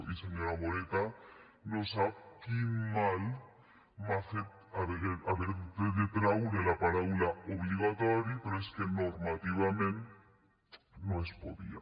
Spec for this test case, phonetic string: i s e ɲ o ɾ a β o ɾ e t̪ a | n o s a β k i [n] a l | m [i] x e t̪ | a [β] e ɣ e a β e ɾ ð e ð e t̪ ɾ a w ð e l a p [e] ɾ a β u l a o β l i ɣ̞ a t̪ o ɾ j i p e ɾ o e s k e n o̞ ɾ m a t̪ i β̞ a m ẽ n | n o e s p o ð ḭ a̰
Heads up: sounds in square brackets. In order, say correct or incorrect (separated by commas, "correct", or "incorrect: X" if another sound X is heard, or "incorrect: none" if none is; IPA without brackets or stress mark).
incorrect: m, incorrect: a, correct, incorrect: a